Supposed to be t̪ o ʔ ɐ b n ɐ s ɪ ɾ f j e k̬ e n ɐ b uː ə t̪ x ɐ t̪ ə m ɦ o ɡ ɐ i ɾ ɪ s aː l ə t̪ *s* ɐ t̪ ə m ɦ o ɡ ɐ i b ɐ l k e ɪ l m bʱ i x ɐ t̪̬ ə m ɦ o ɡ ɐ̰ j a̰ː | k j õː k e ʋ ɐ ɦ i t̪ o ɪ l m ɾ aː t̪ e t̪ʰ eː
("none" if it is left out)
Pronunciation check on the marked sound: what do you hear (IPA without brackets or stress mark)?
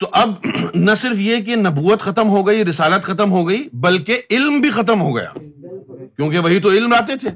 x